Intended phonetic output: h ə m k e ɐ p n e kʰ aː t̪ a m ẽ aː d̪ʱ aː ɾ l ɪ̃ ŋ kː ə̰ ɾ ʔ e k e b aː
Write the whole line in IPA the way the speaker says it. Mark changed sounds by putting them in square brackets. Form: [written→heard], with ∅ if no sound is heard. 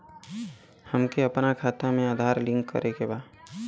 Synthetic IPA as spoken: h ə m k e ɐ p n [e→a] kʰ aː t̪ a m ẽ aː d̪ʱ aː ɾ l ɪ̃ ŋ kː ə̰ ɾ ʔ e k e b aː